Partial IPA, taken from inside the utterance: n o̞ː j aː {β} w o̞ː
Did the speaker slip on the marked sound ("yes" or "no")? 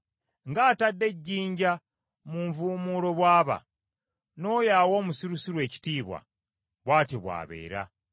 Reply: yes